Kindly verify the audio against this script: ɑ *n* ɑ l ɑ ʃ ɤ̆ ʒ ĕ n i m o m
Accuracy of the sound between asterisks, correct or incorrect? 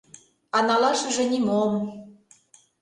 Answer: correct